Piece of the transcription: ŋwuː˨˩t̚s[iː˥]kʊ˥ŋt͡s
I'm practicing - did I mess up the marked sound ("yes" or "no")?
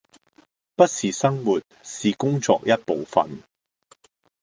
yes